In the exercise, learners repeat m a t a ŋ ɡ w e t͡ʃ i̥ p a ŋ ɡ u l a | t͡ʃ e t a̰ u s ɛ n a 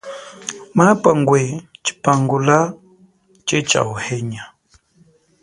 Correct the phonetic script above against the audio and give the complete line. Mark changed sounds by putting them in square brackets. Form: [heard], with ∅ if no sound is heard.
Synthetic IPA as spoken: m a [p] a ŋ ɡ w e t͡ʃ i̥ p a ŋ ɡ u l a | t͡ʃ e [t͡ʃ] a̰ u [h] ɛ [ɲ] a

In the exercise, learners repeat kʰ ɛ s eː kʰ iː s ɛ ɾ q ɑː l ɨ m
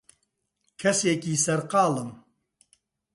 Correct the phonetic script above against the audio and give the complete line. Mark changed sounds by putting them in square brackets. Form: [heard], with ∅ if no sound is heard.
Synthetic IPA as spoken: kʰ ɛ s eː [k] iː s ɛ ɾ q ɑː l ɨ m

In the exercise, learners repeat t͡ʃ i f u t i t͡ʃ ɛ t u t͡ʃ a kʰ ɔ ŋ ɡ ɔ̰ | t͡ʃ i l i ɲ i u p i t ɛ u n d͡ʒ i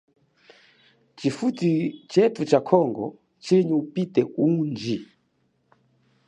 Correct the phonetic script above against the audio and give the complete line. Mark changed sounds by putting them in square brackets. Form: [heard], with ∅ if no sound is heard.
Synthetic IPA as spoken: t͡ʃ i f u t i t͡ʃ ɛ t u t͡ʃ a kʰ ɔ ŋ ɡ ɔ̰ | t͡ʃ i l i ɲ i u p i t ɛ u n d͡ʒ i

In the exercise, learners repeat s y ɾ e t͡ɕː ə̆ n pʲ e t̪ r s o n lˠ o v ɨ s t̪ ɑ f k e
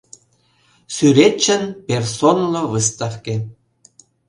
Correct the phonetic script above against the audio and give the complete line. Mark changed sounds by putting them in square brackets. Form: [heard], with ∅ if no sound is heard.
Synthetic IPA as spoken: s y ɾ e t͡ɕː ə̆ n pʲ e [∅] r s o n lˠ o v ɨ s t̪ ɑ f k e

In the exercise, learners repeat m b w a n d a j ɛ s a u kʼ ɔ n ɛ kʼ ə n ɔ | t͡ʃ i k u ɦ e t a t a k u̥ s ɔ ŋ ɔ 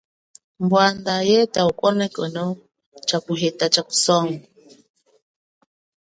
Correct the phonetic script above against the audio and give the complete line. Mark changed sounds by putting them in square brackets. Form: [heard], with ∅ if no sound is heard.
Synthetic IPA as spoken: m b w a n d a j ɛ [t] a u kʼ ɔ n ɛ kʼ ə n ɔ | t͡ʃ [a] k u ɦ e t a [t͡ʃ] a k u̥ s ɔ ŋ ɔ

